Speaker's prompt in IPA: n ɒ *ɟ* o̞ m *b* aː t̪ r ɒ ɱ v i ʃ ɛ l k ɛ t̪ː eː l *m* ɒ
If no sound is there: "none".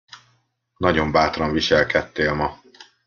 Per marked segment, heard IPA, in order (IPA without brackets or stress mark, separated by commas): ɟ, b, m